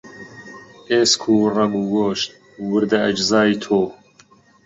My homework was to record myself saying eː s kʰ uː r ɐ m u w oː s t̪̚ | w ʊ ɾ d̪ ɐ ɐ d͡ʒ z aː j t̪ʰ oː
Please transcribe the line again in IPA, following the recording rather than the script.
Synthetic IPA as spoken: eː s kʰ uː r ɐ m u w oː ʃ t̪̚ | w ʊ ɾ d̪ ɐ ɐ d͡ʒ z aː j t̪ʰ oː